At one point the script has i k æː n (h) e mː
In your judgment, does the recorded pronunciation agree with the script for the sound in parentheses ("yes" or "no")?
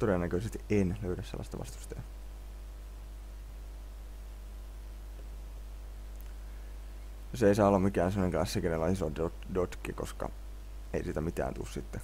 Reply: no